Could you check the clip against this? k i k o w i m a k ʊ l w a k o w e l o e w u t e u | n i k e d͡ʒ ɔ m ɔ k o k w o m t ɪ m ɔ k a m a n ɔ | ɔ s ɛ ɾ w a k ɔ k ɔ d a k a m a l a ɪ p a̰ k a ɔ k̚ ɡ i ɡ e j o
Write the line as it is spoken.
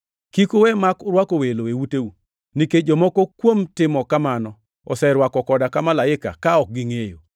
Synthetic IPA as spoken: k i k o w ɛ m a k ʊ ɾ w a k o w e l o e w u t e u | n i k e d͡ʒ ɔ m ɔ k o k w o m t ɪ m ɔ k a m a n ɔ | ɔ s ɛ ɾ w a k ɔ k ɔ d a k a m a l a ɪ k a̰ k a ɔ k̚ ɡ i ŋ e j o